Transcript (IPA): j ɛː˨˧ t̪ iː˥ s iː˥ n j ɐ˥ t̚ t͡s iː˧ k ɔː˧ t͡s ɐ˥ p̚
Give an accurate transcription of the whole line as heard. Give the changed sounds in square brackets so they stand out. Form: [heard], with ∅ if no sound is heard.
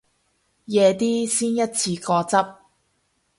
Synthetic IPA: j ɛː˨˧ t̪ iː˥ s iː˥ n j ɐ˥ t̚ [t͡sʰ] iː˧ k ɔː˧ t͡s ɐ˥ p̚